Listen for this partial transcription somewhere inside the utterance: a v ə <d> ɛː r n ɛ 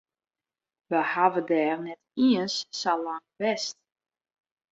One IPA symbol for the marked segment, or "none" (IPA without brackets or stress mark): d